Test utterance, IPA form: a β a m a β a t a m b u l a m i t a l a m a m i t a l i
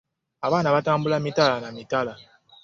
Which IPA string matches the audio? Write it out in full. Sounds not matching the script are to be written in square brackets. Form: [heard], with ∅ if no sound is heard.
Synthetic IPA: a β a [n] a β a t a m b u l a m i t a l a [n] a m i t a l [a]